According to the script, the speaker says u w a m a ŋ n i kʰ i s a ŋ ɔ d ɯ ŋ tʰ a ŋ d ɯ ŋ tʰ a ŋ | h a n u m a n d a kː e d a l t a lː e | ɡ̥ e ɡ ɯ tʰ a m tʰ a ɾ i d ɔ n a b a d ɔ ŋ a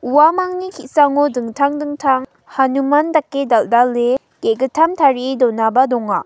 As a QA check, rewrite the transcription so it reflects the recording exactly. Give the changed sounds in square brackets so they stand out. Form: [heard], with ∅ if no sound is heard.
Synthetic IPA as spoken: u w a m a ŋ n i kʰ i s a ŋ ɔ d ɯ ŋ tʰ a ŋ d ɯ ŋ tʰ a ŋ | h a n u m a n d a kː e d a l [d] a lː e | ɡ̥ e ɡ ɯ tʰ a m tʰ a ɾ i d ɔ n a b a d ɔ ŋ a